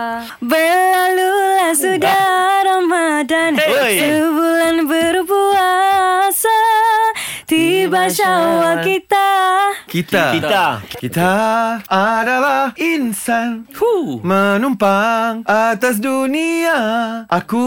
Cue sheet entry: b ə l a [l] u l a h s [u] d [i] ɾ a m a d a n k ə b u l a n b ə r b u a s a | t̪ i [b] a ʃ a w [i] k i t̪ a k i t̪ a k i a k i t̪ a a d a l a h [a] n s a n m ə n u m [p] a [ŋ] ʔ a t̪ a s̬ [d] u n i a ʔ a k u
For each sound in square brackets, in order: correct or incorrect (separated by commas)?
correct, correct, incorrect, correct, incorrect, incorrect, correct, correct, correct